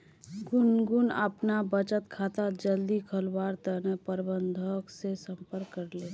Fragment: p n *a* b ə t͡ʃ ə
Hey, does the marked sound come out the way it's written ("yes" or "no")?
yes